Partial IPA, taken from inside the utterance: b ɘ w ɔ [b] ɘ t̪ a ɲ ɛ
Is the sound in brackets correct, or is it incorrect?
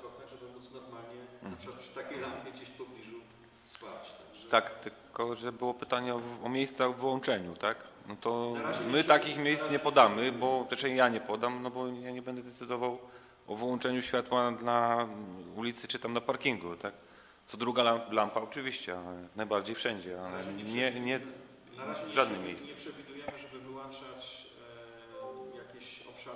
incorrect: p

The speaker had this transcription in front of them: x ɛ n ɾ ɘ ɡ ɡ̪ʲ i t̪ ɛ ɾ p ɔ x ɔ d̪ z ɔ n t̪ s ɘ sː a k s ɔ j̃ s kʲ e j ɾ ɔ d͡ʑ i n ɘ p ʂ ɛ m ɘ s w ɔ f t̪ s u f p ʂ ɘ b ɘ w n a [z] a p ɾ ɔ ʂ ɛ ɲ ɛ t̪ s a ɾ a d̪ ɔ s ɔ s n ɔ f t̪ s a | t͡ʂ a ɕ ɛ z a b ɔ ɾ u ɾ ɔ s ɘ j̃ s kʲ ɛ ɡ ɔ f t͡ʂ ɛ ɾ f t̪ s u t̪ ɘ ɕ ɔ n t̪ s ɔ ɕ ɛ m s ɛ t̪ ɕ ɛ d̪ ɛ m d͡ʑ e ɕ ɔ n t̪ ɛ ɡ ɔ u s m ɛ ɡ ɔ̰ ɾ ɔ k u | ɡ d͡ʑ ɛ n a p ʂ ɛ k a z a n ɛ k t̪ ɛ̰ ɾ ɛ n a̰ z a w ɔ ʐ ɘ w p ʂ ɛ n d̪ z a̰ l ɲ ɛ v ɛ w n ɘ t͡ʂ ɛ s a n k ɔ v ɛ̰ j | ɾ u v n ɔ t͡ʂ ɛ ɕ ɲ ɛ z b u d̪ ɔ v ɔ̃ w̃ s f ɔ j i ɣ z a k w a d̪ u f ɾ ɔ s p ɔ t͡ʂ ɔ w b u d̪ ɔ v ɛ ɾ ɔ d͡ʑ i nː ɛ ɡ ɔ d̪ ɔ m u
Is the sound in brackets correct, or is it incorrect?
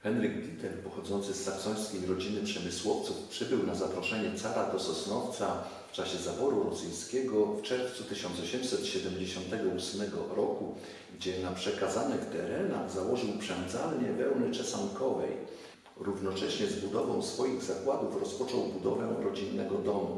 correct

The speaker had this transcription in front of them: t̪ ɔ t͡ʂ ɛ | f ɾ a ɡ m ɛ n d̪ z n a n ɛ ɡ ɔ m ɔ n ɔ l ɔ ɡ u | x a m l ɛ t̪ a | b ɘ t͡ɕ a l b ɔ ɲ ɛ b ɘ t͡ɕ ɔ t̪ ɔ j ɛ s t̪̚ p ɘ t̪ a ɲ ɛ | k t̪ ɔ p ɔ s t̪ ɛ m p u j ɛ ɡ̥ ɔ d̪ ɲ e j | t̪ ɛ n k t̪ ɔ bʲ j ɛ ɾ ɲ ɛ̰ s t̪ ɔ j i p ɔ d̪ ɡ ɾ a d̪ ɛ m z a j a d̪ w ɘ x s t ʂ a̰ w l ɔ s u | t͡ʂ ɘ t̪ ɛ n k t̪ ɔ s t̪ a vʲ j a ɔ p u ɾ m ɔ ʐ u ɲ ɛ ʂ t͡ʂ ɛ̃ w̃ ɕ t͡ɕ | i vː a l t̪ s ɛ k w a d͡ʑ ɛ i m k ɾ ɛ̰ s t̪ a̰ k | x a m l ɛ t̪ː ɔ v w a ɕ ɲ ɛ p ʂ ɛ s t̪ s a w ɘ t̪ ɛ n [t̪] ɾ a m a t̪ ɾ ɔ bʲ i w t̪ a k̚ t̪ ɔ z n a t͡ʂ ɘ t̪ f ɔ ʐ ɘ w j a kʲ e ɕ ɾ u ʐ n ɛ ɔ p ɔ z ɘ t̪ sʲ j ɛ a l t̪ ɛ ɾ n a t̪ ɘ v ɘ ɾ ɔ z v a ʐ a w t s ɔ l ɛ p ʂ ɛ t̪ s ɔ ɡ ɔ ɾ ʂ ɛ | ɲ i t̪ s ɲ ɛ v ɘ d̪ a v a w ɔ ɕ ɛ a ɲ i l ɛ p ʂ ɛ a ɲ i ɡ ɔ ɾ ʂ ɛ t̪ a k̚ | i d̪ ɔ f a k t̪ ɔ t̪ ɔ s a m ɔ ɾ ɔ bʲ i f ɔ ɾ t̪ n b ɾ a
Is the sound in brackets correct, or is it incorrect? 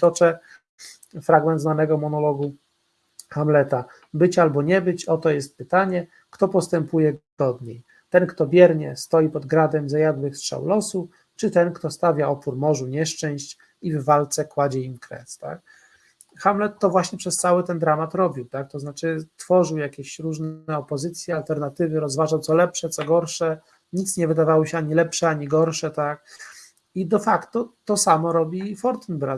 incorrect: d̪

